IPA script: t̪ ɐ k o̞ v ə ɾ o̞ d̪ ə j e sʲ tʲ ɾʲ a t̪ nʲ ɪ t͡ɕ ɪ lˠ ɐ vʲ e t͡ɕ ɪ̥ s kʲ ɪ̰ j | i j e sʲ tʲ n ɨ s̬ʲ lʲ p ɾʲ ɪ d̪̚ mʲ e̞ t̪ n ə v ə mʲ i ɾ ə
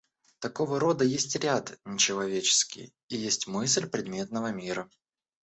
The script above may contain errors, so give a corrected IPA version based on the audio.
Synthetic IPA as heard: t̪ ɐ k o̞ v ə ɾ o̞ d̪ ə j e sʲ tʲ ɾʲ a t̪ nʲ ɪ t͡ɕ ɪ lˠ ɐ vʲ e t͡ɕ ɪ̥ s kʲ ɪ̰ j | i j e sʲ tʲ m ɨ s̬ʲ lʲ p ɾʲ ɪ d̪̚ mʲ e̞ t̪ n ə v ə mʲ i ɾ ə